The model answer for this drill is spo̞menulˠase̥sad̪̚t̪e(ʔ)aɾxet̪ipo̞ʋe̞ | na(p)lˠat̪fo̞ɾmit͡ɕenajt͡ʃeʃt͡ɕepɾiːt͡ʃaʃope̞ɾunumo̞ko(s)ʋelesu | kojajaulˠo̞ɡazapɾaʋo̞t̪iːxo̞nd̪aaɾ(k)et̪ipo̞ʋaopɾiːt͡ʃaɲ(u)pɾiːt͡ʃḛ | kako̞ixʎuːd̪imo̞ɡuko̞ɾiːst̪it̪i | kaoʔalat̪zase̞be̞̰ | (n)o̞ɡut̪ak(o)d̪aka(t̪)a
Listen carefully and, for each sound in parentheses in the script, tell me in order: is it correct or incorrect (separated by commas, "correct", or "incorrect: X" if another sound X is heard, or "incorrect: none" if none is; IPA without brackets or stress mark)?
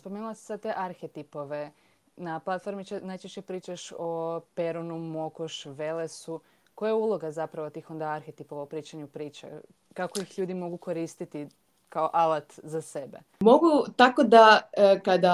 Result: correct, correct, incorrect: ʃ, incorrect: x, correct, incorrect: m, correct, incorrect: d̪